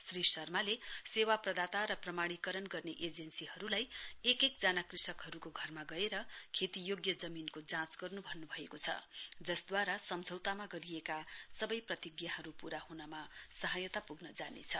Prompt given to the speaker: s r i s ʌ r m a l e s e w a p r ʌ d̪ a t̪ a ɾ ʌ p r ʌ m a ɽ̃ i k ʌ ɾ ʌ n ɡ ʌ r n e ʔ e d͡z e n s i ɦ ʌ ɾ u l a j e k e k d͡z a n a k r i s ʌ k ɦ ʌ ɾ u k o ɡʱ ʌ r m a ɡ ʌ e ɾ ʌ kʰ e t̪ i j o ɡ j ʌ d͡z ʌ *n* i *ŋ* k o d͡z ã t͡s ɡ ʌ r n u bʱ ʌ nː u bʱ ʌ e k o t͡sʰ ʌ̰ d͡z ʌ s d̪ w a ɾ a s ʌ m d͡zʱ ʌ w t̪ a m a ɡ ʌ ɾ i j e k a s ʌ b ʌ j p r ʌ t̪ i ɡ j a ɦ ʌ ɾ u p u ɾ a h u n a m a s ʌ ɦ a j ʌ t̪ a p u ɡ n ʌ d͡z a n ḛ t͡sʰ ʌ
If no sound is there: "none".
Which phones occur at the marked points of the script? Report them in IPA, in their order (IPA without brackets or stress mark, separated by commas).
m, n